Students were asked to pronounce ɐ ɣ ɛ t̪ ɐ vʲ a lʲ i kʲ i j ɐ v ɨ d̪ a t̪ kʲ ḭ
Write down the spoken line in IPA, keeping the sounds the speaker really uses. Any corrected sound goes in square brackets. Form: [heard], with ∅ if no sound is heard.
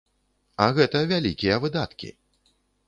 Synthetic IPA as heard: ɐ ɣ ɛ t̪ ɐ vʲ a lʲ i kʲ i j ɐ v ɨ d̪ a t̪ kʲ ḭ

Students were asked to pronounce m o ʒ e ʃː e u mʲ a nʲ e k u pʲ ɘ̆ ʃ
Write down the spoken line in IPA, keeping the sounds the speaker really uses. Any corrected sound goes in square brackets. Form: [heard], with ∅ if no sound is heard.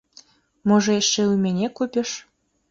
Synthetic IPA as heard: m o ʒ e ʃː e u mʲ [e] nʲ e k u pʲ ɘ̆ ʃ

